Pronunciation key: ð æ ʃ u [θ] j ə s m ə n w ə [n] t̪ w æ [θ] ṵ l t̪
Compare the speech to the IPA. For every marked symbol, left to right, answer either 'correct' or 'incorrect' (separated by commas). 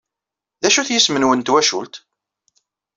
correct, correct, incorrect